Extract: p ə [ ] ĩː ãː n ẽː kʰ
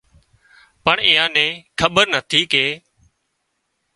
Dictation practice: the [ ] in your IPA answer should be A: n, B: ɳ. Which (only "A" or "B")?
B